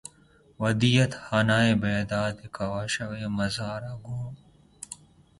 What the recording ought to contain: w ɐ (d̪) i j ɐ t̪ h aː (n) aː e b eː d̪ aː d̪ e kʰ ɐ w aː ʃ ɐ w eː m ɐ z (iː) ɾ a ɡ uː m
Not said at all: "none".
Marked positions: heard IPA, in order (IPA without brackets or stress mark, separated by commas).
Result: d̪, n, aː